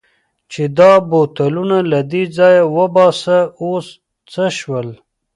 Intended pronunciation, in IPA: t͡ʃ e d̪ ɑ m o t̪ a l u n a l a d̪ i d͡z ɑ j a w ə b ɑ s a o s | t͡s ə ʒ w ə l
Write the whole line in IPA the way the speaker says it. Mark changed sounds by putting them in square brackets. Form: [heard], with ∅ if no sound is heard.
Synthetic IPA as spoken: t͡ʃ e d̪ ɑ [b] o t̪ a l u n a l a d̪ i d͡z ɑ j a w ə b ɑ s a o s | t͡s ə [ʃ] w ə l